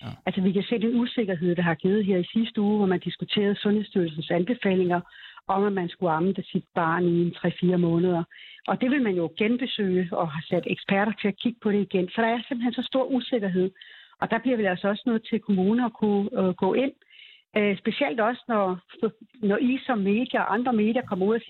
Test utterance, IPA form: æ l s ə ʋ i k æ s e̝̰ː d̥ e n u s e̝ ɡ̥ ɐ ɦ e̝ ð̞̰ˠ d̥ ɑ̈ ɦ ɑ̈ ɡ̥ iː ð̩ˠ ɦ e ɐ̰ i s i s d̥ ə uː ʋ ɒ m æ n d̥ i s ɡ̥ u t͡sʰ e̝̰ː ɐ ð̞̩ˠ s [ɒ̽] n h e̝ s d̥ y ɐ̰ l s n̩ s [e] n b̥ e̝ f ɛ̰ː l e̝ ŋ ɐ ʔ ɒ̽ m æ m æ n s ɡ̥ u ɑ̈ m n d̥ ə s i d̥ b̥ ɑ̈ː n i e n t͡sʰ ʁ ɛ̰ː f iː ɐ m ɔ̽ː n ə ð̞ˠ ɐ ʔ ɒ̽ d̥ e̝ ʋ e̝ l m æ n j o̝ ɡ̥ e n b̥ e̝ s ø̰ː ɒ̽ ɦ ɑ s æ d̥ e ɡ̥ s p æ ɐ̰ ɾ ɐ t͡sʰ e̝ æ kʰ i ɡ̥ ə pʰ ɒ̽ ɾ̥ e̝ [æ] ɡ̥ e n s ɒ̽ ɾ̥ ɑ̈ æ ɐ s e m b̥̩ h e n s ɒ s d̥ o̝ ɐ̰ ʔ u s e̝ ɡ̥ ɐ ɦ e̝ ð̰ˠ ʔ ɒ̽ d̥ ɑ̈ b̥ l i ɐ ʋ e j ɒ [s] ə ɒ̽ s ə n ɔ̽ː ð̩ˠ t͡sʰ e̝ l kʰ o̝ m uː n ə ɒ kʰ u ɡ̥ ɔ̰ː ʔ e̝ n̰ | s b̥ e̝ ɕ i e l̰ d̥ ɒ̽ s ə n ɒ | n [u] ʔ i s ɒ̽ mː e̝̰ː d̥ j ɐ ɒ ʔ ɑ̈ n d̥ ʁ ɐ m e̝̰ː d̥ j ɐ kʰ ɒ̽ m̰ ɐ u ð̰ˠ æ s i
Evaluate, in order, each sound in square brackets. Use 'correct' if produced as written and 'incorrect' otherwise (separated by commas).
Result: incorrect, incorrect, incorrect, correct, incorrect